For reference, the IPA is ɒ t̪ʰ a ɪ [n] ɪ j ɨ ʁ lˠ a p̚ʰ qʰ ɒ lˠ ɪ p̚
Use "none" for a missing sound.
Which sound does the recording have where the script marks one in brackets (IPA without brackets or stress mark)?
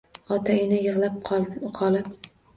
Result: n